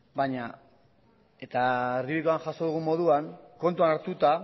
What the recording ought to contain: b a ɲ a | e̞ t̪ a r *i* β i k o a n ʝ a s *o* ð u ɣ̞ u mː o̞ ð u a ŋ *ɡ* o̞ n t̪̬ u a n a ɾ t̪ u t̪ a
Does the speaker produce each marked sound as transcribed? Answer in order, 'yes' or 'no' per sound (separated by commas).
yes, yes, no